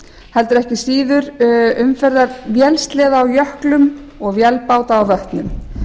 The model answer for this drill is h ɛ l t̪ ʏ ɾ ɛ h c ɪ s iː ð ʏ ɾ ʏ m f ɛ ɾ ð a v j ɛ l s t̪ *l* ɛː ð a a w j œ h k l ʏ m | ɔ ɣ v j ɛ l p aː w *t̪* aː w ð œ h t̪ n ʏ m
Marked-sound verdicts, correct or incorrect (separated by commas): correct, correct